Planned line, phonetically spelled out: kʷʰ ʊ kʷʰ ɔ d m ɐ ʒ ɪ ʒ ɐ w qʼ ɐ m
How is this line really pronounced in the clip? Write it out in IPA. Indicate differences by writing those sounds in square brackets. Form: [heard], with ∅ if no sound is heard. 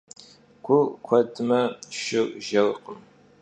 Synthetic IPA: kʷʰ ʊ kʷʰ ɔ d m ɐ [ʃ] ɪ ʒ ɐ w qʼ [ə] m